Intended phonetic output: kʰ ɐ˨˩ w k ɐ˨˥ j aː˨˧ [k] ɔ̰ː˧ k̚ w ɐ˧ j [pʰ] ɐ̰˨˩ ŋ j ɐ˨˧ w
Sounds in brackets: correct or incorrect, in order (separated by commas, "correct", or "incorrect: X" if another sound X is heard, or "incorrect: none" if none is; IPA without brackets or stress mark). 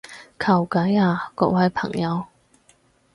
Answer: correct, correct